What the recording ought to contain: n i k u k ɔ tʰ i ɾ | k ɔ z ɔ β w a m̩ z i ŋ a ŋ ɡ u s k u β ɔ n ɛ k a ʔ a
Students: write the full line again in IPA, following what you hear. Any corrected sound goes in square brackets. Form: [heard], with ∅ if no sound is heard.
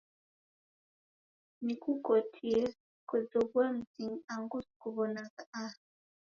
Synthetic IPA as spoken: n i k u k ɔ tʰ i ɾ | k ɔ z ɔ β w a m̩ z i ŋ a ŋ ɡ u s k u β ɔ n [a] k a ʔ a